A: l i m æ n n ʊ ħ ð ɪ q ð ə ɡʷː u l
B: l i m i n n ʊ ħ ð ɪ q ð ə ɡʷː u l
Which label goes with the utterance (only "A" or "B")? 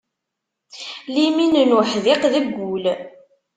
B